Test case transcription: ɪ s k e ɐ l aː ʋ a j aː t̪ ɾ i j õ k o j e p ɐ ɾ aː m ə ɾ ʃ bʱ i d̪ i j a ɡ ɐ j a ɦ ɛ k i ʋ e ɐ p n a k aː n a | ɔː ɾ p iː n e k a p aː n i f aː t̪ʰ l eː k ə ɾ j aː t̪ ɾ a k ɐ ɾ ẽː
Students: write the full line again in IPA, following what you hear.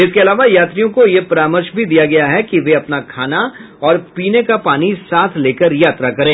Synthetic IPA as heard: ɪ s k e ɐ l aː ʋ a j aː t̪ ɾ i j õ k o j e p ɐ ɾ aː m ə ɾ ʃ bʱ i d̪ i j a ɡ ɐ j a ɦ ɛ k i ʋ e ɐ p n a kʰ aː n a | ɔː ɾ p iː n e k a p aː n i s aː t̪ʰ l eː k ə ɾ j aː t̪ ɾ a k ɐ ɾ ẽː